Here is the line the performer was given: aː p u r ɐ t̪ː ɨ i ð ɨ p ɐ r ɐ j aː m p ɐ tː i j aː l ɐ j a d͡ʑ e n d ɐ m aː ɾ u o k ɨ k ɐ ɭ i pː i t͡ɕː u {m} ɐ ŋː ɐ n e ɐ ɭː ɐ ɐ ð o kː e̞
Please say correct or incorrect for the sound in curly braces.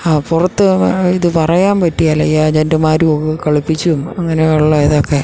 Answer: correct